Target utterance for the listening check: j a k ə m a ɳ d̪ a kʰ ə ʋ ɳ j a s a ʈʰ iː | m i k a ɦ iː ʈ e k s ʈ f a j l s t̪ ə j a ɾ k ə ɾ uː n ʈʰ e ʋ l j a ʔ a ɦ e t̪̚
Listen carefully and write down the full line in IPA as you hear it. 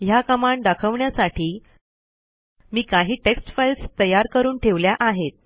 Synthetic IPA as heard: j a k ə m a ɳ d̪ a kʰ ə ʋ ɳ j a s a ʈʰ iː | m iː k a ɦ iː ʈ e k s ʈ f a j l s t̪ ə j a ɾ k ə ɾ uː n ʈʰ e ʋ l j a ʔ a ɦ e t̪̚